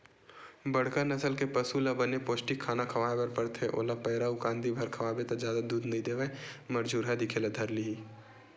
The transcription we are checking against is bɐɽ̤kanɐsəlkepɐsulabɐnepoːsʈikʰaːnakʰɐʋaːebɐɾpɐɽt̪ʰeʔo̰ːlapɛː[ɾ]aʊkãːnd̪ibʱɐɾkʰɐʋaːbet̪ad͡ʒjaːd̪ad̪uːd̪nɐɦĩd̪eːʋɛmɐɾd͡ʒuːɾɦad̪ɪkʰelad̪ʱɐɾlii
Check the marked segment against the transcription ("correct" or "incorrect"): correct